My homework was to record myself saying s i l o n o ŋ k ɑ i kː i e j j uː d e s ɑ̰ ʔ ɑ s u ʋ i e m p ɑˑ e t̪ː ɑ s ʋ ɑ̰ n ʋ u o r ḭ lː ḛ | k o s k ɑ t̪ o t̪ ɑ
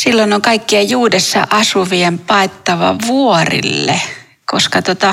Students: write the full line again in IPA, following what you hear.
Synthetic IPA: s i lː o n o ŋ k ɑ i kː i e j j uː d e sː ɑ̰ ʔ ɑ s u ʋ i e m p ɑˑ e t̪ː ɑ ʋ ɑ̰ ʋ u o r ḭ lː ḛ | k o s k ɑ t̪ o t̪ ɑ